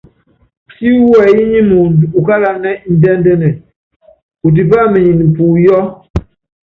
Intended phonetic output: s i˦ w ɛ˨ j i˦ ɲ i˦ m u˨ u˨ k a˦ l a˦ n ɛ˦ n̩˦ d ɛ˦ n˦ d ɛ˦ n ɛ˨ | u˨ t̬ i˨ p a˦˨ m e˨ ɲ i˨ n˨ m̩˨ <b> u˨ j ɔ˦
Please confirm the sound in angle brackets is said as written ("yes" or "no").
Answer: no